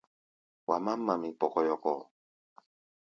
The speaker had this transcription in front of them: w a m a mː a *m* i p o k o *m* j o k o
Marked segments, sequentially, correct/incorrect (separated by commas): correct, incorrect